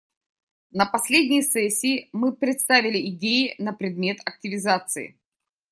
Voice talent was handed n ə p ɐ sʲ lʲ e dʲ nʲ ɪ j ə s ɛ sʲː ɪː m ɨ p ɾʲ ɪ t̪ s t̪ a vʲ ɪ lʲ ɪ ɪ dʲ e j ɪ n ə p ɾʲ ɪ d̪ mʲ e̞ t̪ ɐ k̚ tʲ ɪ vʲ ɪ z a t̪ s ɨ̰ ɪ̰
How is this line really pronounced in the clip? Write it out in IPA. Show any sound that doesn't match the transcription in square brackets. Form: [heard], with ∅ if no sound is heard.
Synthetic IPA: n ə p ɐ sʲ lʲ e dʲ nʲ ɪ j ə s ɛ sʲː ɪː m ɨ p ɾʲ ɪ t̪ s t̪ a vʲ ɪ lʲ ɪ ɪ dʲ e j ɪ n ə p ɾʲ ɪ d̪ mʲ e̞ t̪ ɐ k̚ tʲ ɪ vʲ ɪ z a t̪ s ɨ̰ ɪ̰